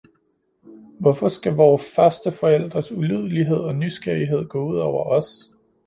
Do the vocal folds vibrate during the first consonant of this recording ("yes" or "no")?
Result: yes